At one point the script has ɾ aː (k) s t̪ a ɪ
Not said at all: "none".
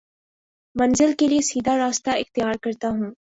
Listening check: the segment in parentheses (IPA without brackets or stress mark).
none